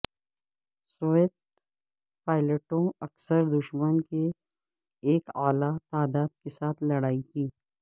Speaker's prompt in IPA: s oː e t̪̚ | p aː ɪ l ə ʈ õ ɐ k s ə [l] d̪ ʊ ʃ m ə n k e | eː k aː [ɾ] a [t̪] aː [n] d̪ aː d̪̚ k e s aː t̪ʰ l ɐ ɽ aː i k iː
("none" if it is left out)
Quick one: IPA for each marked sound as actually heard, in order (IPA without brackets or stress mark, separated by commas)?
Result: ɾ, l, t̪, none